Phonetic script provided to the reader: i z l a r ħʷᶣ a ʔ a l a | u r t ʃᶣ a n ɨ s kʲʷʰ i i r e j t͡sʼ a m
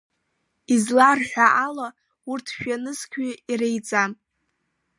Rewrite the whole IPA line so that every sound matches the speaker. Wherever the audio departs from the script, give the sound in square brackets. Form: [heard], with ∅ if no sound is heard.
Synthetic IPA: i z l a r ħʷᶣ a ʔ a l a | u r [tʰ] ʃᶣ a n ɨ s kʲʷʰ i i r e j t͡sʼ a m